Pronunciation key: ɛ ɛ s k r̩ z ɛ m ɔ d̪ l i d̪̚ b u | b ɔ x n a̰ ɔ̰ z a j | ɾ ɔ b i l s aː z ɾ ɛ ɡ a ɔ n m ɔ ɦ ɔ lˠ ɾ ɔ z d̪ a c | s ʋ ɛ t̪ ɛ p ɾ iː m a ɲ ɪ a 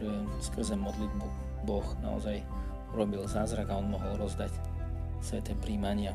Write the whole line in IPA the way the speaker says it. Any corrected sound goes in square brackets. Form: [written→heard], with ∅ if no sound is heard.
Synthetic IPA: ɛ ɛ s k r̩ z ɛ m ɔ d̪ l i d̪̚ b u | b ɔ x n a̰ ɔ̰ z a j | ɾ ɔ b i l [s→z] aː z ɾ [ɛ→a] ɡ a ɔ n m ɔ ɦ ɔ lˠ ɾ ɔ z d̪ a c | s ʋ ɛ t̪ ɛ p ɾ iː m a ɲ ɪ a